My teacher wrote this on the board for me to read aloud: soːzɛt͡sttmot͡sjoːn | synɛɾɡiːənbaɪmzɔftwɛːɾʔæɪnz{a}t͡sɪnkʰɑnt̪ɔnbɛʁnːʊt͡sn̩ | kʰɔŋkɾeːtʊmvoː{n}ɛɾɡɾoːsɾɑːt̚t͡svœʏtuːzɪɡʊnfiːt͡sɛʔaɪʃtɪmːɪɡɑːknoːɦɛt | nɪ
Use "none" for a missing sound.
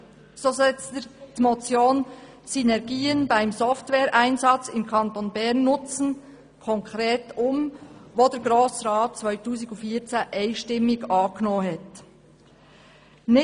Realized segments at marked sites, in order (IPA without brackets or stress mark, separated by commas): ɑ, d